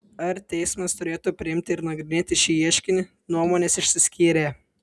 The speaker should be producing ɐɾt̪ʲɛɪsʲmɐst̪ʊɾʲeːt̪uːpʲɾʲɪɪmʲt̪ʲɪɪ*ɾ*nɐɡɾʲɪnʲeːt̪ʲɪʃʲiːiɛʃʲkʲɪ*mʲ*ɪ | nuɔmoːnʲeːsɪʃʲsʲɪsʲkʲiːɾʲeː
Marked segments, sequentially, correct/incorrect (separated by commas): correct, incorrect